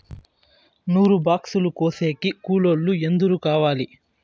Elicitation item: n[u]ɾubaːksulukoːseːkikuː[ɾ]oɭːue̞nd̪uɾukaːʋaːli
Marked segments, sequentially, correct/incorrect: incorrect, incorrect

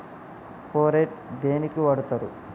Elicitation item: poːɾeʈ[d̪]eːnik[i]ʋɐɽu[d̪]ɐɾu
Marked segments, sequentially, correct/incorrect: correct, correct, incorrect

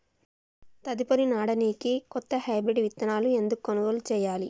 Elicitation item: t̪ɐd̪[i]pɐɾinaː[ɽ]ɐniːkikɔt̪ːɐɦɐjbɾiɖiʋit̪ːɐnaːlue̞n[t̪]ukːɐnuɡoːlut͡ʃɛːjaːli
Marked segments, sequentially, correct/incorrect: correct, correct, incorrect

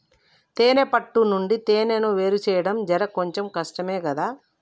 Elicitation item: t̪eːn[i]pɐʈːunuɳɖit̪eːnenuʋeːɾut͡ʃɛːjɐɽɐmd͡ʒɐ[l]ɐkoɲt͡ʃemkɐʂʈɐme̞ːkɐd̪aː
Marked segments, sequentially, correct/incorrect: incorrect, incorrect

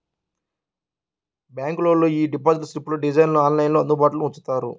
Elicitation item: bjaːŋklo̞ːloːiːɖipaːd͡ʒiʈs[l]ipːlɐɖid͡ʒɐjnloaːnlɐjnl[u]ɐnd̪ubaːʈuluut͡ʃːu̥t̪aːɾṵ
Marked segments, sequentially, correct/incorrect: incorrect, incorrect

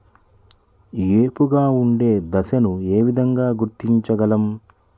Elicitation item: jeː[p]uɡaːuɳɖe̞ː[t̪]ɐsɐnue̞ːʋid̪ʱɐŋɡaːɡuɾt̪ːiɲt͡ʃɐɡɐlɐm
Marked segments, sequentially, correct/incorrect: correct, incorrect

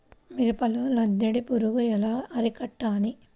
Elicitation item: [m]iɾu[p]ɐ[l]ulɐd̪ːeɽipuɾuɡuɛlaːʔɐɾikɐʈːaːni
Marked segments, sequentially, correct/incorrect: correct, correct, correct

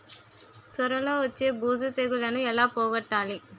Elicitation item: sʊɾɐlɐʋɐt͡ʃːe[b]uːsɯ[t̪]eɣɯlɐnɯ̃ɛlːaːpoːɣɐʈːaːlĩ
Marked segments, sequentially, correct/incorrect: correct, correct

